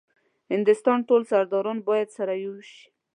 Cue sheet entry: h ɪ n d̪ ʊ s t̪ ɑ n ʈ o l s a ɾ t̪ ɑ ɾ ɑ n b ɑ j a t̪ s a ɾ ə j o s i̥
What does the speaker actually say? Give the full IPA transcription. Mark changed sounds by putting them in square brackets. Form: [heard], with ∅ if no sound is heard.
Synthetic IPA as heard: h ɪ n d̪ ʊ s t̪ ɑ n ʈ o l s a ɾ [d̪] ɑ ɾ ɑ n b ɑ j a [d̪] s a ɾ [a] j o [ʃ] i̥

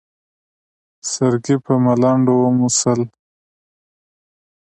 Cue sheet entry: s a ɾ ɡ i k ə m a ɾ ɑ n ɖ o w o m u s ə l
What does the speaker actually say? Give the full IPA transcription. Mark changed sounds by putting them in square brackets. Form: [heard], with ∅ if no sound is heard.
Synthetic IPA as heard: s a ɾ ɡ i [p] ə m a [l] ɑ [ɳ] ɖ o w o m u s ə l

